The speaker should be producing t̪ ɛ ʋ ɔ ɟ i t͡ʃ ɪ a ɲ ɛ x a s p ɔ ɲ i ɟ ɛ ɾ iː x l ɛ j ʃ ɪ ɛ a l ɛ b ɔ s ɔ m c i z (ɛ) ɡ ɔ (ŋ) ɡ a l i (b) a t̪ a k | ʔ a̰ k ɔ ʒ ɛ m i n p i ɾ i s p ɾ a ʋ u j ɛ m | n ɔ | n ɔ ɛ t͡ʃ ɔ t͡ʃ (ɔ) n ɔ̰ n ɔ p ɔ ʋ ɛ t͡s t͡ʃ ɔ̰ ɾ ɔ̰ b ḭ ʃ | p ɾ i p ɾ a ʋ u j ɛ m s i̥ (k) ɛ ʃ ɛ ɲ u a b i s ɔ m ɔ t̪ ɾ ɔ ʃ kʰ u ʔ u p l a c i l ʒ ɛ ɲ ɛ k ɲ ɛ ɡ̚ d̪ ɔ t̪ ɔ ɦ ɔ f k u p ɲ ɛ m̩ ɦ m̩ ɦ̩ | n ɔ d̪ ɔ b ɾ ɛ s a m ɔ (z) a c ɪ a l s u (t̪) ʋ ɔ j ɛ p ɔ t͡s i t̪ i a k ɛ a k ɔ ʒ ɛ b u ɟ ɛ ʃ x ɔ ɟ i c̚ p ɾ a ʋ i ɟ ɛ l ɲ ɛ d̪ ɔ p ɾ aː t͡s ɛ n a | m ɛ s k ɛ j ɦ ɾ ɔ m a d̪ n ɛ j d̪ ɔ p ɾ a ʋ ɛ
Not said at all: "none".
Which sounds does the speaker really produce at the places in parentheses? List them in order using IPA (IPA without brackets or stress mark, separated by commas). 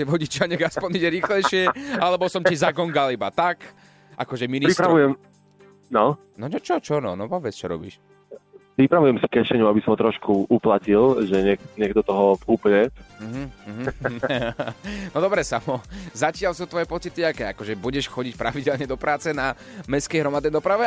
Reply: a, ŋ, b, ɔ, k, z, t̪